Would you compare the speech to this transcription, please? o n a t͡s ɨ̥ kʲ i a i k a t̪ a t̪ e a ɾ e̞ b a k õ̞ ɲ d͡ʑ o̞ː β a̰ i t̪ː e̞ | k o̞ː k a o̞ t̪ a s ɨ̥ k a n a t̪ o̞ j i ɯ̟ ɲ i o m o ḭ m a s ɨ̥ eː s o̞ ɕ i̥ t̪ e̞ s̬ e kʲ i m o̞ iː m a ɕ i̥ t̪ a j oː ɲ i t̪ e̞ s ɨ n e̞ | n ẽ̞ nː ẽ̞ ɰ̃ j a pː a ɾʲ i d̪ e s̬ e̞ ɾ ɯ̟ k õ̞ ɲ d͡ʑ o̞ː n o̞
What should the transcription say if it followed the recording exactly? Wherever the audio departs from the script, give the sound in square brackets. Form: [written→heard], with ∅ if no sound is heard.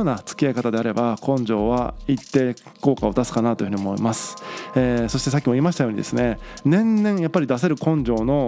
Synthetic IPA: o n a t͡s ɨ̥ kʲ i a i k a t̪ a [t̪→d̪] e a ɾ e̞ b a k õ̞ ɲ d͡ʑ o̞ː β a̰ i t̪ː e̞ | k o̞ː k a o̞ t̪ a s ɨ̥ k a n a t̪ o̞ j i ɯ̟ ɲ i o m o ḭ m a s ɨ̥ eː s o̞ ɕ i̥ t̪ e̞ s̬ [e→a] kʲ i m o̞ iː m a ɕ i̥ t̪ a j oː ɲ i [t̪→d̪] e̞ s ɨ n e̞ | n ẽ̞ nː ẽ̞ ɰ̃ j a pː a ɾʲ i d̪ [e→a] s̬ e̞ ɾ ɯ̟ k õ̞ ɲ d͡ʑ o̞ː n o̞